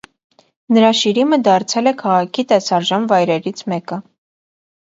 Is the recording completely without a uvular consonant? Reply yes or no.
no